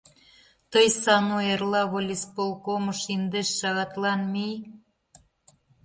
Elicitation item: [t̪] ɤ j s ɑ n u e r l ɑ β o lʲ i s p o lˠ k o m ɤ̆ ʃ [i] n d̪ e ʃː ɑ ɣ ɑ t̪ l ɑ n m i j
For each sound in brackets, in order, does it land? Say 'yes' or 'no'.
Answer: yes, yes

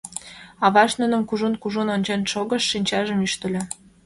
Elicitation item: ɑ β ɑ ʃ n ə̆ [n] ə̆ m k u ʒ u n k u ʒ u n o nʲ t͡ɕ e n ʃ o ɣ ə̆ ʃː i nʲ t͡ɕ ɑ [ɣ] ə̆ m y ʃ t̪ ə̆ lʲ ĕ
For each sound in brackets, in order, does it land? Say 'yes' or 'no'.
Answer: yes, no

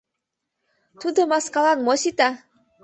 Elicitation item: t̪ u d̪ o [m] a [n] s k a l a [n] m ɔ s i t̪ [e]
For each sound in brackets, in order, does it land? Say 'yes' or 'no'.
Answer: yes, no, yes, no

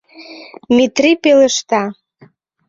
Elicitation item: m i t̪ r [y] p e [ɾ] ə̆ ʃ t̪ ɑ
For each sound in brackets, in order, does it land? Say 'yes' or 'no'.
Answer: no, no

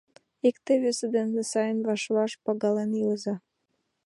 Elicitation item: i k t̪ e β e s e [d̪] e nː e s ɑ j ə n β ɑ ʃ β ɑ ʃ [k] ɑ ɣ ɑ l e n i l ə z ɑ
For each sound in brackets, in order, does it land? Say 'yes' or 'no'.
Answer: yes, no

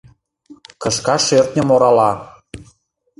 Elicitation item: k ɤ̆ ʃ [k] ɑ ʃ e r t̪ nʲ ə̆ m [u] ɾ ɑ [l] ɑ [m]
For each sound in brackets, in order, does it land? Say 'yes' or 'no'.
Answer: yes, no, yes, no

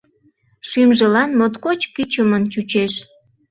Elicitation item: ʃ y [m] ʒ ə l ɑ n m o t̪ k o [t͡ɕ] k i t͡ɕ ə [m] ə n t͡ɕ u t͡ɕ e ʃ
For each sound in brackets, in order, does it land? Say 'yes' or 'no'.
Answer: yes, yes, yes

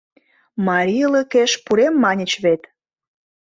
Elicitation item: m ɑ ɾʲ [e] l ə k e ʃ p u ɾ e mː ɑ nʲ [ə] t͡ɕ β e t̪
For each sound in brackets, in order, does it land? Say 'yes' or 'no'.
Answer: no, yes

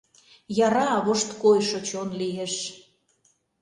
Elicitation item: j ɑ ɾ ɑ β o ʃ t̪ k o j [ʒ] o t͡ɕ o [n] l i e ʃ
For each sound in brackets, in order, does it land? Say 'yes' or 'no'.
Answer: no, yes

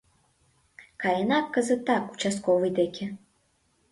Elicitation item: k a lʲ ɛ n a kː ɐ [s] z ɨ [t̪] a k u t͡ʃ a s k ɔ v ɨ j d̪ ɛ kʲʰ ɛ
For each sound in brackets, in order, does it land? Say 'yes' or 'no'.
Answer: no, yes

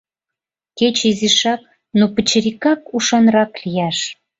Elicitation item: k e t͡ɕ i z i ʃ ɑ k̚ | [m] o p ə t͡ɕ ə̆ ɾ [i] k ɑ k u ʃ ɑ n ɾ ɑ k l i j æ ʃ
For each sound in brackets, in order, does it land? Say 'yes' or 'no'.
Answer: no, yes

